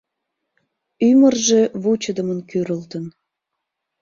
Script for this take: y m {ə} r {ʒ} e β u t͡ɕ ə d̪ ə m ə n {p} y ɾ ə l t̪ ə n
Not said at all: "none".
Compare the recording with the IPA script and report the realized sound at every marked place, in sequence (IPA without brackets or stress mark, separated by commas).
ə, ʒ, k